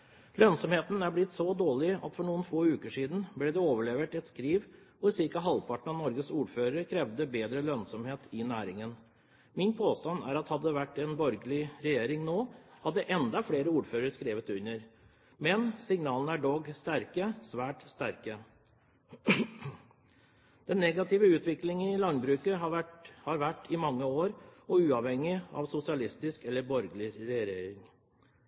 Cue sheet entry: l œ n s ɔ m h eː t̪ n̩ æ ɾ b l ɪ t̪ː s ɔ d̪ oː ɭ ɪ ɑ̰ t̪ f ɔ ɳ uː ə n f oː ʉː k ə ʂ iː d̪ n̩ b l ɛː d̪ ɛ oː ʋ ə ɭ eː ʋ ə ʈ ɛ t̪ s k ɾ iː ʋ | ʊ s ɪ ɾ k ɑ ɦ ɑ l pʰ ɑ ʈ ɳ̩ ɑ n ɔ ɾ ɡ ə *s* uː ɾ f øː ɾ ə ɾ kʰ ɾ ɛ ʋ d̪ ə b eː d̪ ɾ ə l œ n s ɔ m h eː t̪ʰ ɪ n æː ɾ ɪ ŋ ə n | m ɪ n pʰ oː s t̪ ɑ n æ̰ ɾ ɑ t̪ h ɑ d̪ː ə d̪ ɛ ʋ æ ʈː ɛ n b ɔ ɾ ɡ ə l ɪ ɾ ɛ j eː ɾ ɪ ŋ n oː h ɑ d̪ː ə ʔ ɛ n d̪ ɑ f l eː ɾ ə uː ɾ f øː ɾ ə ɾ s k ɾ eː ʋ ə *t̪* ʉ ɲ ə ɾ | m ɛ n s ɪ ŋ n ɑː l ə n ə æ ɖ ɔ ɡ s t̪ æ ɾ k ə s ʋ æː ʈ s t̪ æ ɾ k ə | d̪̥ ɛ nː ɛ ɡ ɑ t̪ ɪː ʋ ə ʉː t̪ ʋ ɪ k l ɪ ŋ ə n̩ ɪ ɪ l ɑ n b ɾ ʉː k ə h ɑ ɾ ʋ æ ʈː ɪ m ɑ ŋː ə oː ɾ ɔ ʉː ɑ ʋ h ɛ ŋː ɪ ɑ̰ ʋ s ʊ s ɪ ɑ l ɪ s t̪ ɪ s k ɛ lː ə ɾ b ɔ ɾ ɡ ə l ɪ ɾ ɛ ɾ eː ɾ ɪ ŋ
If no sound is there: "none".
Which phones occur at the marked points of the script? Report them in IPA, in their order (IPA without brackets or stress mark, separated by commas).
s, t̪